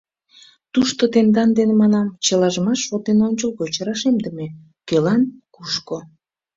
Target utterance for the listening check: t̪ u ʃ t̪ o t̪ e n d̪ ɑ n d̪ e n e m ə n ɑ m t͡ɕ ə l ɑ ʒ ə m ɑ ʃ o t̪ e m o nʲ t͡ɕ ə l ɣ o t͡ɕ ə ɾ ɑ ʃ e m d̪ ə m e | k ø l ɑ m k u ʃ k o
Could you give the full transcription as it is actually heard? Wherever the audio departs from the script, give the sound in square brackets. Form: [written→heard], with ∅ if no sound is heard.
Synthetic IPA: t̪ u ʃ t̪ o t̪ e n d̪ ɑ n d̪ e n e m [ə→ɑ] n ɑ m t͡ɕ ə l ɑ ʒ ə m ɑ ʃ o t̪ e [m→n] o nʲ t͡ɕ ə l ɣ o t͡ɕ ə ɾ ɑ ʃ e m d̪ ə m e | k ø l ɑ [m→n] k u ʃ k o